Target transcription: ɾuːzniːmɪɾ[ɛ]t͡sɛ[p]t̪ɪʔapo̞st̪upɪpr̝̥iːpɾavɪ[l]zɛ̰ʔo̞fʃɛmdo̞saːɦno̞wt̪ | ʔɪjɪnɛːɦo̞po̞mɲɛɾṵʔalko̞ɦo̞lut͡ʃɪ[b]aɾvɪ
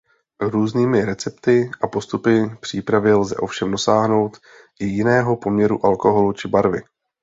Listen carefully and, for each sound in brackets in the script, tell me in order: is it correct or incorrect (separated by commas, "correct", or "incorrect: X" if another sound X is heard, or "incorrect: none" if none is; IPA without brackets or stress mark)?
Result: correct, correct, correct, correct